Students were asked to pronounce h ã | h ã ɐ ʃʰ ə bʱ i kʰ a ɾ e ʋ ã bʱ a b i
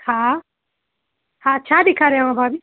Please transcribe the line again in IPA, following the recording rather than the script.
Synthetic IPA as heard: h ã | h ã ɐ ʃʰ a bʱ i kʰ a ɾ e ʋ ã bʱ a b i